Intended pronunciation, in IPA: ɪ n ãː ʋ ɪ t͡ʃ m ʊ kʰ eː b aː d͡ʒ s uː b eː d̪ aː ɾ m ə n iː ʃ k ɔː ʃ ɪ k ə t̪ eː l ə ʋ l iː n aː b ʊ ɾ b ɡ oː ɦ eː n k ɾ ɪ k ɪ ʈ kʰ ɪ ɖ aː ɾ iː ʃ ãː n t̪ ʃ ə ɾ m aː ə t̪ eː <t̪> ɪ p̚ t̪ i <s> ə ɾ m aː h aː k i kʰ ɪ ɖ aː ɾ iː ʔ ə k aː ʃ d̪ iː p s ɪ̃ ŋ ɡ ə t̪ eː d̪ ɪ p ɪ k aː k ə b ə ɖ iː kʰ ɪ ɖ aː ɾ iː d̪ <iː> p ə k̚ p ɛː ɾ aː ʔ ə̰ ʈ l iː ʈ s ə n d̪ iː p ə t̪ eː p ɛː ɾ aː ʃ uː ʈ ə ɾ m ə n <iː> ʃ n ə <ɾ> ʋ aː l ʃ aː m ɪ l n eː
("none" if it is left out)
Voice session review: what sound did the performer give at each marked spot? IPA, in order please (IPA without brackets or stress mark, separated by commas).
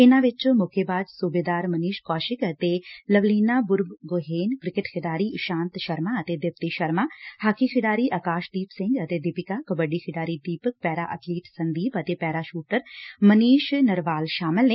d̪, ʃ, iː, iː, ɾ